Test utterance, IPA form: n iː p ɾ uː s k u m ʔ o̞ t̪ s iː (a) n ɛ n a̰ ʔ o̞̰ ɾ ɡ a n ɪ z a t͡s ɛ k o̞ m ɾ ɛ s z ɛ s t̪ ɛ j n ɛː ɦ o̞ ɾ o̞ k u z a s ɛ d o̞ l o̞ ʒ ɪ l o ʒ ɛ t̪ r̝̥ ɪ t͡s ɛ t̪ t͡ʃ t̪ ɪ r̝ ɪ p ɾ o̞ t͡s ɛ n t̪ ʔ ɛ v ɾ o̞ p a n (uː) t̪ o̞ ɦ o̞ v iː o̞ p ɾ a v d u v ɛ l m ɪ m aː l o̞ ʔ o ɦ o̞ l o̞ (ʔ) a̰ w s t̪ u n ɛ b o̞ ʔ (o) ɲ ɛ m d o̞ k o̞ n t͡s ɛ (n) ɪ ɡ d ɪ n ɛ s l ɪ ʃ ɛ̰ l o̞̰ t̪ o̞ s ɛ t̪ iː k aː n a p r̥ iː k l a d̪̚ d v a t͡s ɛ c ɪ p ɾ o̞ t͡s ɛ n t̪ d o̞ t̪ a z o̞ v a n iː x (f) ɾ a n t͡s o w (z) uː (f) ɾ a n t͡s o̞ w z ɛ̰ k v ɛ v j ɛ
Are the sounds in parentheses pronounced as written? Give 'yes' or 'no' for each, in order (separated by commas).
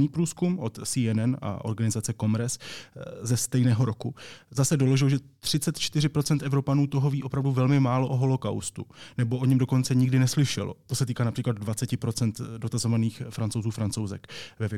no, yes, no, yes, no, yes, yes, yes